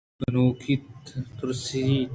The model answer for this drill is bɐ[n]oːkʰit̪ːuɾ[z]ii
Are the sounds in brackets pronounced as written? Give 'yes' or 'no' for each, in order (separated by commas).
yes, no